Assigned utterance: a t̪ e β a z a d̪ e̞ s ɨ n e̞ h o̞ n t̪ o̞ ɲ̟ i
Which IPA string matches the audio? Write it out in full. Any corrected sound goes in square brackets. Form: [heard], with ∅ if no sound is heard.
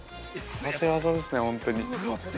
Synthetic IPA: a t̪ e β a z a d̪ e̞ s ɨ n e̞ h [õ̞] n t̪ o̞ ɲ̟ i